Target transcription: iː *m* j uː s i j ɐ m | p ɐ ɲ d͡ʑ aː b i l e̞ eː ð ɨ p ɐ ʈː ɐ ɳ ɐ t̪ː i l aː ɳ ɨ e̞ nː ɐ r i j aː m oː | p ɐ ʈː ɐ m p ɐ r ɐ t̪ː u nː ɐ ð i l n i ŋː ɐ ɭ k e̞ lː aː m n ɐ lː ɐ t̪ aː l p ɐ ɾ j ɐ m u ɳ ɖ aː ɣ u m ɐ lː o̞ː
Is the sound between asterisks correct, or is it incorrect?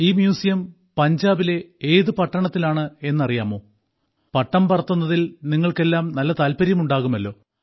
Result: correct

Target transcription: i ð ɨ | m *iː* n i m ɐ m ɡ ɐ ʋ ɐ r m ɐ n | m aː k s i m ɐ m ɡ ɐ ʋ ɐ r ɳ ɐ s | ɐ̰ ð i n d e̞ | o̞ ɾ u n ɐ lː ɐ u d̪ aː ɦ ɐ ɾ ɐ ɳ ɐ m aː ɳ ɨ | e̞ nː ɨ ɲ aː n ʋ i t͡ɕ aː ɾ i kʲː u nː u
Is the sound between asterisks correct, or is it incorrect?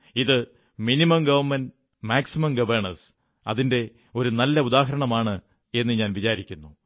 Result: incorrect: i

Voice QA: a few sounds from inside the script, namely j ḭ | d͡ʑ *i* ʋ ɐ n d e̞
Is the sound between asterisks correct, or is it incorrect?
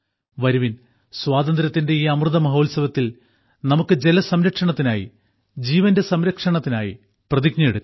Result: incorrect: iː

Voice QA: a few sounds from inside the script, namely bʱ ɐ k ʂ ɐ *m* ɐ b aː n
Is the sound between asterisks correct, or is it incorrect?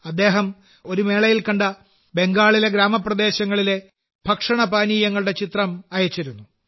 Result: incorrect: ɳ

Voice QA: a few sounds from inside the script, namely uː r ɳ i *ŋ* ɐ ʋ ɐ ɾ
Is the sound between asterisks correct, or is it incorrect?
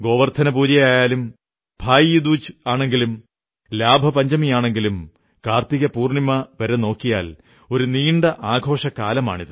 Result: incorrect: m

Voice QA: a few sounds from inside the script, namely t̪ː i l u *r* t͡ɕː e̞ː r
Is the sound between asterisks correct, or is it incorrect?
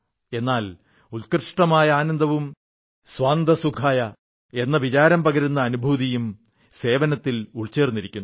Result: incorrect: ɭ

